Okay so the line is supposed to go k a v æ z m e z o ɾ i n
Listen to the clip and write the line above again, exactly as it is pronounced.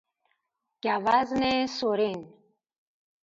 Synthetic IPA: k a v a z n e s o ɾ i n